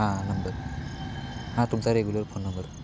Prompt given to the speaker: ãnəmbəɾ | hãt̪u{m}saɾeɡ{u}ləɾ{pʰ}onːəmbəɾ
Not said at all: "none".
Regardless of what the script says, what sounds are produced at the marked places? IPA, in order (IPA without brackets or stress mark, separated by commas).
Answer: m, u, pʰ